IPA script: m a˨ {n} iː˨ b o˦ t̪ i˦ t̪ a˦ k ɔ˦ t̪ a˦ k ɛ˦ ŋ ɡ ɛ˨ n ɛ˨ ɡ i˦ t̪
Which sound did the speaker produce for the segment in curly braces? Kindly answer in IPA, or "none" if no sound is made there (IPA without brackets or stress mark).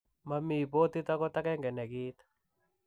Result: m